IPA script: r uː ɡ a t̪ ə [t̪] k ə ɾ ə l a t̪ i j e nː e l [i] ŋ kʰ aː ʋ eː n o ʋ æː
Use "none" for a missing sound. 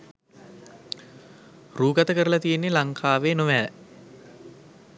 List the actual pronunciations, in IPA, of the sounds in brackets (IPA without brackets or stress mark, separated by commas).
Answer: none, a